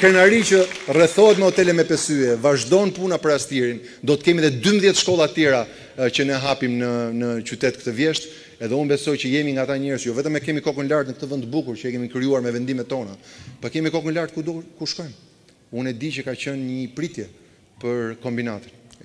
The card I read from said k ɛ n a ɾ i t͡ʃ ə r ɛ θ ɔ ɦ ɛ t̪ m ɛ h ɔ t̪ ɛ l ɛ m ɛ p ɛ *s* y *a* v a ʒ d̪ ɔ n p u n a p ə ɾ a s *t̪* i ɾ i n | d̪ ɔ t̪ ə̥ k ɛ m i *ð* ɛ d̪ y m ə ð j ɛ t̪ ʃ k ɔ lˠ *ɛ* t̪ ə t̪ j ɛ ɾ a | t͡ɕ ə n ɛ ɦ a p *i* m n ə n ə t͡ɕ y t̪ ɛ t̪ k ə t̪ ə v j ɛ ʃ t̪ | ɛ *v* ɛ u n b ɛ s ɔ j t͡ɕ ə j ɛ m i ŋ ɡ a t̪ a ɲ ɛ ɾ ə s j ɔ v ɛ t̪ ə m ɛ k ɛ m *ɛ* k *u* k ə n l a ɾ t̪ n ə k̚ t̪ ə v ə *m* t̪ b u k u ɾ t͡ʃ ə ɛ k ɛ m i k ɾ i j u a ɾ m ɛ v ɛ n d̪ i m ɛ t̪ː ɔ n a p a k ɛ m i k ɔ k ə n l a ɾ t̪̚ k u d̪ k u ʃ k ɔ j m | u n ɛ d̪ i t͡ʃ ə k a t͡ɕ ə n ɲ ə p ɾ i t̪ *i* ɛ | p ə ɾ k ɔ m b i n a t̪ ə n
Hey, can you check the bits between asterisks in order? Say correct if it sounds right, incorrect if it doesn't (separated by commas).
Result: correct, incorrect, correct, correct, incorrect, correct, incorrect, incorrect, incorrect, incorrect, incorrect